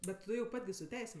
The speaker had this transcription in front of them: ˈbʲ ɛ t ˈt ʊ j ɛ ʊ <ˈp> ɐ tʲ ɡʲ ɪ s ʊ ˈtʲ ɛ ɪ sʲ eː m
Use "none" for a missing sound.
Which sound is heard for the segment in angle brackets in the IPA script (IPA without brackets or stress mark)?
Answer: p